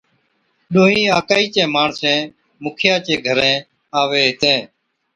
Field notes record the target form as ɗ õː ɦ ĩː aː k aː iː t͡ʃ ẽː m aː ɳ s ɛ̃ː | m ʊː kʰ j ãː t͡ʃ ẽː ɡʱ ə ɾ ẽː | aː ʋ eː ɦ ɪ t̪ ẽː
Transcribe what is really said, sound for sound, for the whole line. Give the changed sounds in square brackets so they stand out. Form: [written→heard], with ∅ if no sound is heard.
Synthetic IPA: ɗ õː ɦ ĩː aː k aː iː t͡ʃ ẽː m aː ɳ s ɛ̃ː | m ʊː kʰ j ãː t͡ʃ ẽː ɡʱ ə ɾ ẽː | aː ʋ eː ɦ ɪ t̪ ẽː